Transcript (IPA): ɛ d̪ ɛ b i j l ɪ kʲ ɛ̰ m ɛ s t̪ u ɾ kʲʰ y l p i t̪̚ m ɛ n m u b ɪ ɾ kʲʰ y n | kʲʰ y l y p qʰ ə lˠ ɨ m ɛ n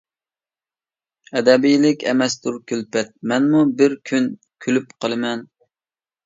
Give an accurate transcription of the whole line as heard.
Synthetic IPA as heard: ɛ d̪ ɛ b i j l ɪ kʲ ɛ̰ m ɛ s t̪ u ɾ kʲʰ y l p ɛ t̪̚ m ɛ n m u b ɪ ɾ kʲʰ y n | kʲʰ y l y p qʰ ə lˠ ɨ m ɛ n